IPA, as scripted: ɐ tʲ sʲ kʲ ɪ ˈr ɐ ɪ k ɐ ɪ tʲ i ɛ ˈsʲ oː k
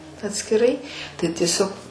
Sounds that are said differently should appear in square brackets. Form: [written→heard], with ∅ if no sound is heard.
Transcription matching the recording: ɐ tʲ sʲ kʲ ɪ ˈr ɐ ɪ [k→t] ɐ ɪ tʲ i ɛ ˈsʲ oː k